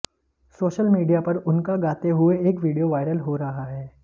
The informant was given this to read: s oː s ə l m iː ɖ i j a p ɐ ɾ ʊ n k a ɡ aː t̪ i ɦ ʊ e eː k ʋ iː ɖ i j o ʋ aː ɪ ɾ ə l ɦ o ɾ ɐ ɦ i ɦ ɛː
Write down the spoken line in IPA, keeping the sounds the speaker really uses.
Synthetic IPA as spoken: s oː ʃ ə l m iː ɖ i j a p ɐ ɾ ʊ n k a ɡ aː t̪ e ɦ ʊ e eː k ʋ iː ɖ i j o ʋ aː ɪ ɾ ə l ɦ o ɾ ɐ ɦ a ɦ ɛː